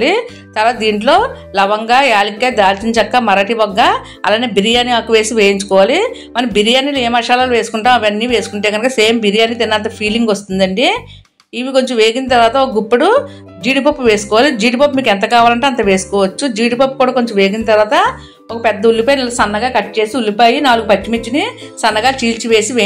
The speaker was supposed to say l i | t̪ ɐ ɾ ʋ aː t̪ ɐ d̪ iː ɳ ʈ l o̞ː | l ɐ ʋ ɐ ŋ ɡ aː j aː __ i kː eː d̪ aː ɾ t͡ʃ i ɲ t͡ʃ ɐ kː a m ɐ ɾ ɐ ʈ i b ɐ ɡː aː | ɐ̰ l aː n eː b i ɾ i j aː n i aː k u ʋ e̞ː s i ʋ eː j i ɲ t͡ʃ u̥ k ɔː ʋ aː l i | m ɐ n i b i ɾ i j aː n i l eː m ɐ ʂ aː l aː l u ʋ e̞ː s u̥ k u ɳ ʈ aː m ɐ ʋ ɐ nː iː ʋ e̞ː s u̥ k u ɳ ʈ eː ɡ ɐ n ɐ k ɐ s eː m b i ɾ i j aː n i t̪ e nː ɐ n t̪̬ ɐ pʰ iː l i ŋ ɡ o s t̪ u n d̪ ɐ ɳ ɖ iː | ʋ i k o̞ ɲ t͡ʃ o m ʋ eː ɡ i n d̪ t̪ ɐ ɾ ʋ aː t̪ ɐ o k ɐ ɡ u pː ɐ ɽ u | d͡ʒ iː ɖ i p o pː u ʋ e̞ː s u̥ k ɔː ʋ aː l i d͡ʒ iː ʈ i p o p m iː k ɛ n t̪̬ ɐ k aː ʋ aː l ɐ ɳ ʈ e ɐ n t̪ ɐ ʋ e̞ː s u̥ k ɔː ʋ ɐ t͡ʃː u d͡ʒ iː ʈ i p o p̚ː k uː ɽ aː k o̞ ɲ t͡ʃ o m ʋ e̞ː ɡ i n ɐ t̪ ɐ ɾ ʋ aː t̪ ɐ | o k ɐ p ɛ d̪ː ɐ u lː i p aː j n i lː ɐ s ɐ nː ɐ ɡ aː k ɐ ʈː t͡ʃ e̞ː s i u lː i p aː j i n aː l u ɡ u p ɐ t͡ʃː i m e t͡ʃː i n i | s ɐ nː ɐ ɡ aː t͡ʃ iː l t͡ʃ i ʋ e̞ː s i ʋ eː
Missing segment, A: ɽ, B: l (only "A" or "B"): B